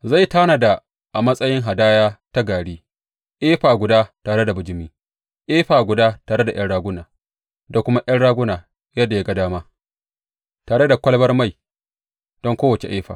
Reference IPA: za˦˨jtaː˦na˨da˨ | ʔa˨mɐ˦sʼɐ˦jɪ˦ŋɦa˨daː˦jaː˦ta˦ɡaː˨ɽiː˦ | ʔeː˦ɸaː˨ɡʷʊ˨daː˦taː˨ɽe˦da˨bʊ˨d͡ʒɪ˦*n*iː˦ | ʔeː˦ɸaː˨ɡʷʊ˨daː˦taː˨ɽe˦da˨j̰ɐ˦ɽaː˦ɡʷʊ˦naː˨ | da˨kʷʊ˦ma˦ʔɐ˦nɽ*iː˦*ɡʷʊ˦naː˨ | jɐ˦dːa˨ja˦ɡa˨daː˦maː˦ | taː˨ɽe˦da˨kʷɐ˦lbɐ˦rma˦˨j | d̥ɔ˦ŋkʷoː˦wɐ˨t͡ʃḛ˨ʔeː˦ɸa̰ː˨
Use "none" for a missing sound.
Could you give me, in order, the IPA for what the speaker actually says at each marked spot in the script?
m, aː˦

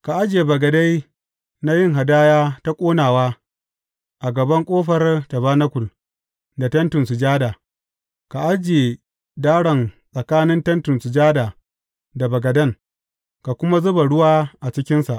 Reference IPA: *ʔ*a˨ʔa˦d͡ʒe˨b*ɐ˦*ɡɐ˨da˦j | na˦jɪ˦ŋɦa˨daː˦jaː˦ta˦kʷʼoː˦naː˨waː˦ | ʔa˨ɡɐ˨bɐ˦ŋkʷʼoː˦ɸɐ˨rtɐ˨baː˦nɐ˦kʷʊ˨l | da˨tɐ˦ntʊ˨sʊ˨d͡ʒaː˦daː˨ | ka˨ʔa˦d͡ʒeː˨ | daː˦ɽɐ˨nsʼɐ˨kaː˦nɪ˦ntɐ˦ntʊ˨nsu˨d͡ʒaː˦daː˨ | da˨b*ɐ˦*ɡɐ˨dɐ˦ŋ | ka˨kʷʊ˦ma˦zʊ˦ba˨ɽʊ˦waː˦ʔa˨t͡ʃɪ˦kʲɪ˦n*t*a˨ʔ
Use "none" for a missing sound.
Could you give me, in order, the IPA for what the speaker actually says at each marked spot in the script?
k, ɐ˨, ɐ˨, s

